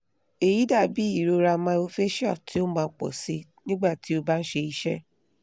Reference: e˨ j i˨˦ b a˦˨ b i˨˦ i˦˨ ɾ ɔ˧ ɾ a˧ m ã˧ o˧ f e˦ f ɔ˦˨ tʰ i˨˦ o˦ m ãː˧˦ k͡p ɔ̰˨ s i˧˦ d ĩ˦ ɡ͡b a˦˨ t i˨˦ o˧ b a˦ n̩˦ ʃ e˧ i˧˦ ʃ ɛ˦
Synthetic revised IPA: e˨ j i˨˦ d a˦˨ b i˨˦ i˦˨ ɾ o˧ ɾ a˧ m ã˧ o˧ f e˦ ʃ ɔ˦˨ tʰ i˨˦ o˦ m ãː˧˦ k͡p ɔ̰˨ s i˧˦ n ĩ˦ ɡ͡b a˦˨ t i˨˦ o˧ b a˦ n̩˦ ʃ e˧ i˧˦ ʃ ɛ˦